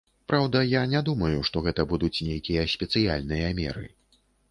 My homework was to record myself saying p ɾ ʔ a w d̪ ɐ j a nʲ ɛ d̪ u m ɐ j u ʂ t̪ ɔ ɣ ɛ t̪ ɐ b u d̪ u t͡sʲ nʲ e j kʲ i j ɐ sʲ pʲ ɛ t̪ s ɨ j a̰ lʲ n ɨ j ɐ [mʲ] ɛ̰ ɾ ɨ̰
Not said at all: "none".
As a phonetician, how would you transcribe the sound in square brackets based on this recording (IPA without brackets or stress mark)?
mʲ